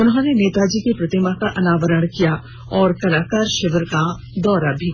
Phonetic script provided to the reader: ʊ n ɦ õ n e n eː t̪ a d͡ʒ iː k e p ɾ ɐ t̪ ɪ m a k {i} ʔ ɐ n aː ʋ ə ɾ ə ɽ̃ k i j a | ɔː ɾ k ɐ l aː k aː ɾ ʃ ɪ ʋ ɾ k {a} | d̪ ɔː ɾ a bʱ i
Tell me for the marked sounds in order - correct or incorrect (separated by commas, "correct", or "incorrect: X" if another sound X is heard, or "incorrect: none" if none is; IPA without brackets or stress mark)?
incorrect: a, correct